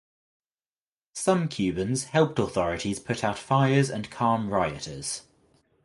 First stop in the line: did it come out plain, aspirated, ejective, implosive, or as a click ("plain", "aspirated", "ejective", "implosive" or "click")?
aspirated